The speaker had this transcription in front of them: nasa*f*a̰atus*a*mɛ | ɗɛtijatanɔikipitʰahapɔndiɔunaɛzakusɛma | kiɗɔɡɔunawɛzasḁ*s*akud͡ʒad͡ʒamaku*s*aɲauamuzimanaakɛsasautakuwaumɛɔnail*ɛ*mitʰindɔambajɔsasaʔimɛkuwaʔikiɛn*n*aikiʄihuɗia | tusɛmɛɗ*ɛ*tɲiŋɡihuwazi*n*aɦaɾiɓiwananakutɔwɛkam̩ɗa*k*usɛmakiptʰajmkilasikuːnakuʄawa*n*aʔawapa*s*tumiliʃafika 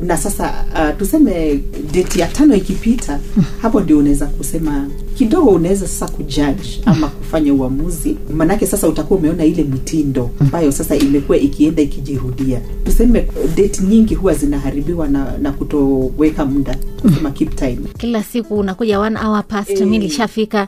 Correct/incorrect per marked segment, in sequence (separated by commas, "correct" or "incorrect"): incorrect, incorrect, correct, incorrect, correct, incorrect, correct, correct, correct, correct, correct